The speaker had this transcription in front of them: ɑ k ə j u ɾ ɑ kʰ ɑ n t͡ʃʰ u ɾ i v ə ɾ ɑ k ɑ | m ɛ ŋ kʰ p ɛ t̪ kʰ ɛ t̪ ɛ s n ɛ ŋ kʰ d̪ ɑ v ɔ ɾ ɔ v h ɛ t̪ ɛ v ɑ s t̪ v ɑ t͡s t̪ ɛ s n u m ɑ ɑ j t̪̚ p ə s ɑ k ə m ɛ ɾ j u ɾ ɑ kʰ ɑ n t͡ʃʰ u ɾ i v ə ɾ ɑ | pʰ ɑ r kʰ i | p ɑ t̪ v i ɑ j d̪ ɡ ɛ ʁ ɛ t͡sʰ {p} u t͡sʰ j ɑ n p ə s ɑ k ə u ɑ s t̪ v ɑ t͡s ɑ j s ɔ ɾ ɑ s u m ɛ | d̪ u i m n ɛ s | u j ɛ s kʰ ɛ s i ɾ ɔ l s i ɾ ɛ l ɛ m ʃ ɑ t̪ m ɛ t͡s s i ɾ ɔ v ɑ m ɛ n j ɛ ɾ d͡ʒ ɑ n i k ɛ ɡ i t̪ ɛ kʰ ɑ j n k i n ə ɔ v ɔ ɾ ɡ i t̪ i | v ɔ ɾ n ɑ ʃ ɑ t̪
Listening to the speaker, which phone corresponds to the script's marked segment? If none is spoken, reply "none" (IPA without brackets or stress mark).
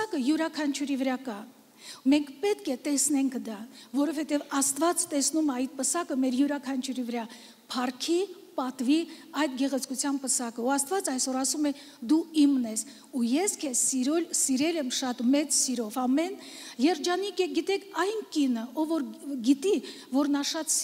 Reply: k